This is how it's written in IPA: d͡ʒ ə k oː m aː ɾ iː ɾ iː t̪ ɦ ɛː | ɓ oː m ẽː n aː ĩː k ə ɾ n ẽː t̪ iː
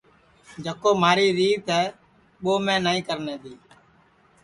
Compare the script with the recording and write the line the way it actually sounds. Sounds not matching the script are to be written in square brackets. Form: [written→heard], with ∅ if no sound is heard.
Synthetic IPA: d͡ʒ ə k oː m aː ɾ iː ɾ iː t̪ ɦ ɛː | ɓ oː m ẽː n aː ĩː k ə ɾ n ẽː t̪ iː